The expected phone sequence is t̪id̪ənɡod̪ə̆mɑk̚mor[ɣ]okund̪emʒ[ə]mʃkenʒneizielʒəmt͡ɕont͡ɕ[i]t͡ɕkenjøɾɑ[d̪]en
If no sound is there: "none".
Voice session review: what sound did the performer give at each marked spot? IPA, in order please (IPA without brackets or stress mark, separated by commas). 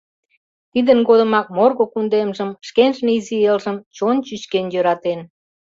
ɣ, ə, y, t̪